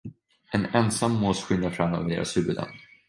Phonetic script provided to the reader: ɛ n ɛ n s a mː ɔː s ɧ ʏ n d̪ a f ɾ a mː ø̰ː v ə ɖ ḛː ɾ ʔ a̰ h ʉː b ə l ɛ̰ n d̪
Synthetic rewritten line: ɛ n ɛ n s a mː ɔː s ɧ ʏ n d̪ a f ɾ a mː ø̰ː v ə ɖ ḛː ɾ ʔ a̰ s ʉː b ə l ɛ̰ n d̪